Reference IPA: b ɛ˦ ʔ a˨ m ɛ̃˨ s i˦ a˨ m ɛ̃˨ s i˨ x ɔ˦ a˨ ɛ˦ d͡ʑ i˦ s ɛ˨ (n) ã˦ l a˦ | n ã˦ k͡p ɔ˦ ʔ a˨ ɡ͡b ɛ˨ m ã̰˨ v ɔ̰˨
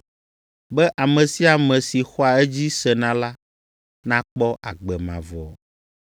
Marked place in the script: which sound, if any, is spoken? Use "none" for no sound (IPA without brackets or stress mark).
n